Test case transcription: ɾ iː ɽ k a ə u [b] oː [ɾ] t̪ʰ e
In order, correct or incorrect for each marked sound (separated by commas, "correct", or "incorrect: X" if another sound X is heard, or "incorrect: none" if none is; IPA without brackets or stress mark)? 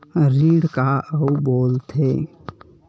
correct, incorrect: l